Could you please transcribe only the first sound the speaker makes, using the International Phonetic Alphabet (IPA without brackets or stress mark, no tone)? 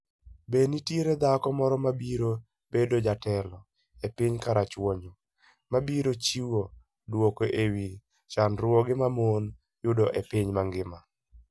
b